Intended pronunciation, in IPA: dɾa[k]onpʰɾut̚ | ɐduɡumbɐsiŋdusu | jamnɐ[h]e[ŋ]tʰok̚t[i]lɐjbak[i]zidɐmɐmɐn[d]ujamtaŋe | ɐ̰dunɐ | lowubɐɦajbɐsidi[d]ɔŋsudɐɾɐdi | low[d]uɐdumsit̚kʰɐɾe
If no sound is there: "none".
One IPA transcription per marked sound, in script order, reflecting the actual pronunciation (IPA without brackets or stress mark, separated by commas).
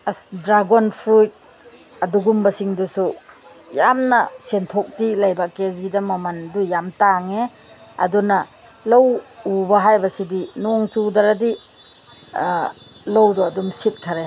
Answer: ɡ, s, n, i, e, d, n, d